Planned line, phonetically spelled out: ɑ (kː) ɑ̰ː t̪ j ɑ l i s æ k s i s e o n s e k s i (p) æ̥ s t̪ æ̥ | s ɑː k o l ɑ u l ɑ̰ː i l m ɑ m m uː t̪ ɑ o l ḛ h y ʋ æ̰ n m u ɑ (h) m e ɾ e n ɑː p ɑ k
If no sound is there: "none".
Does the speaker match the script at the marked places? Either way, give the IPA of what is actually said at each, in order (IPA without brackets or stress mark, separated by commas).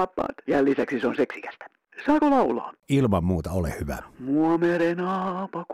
pː, k, none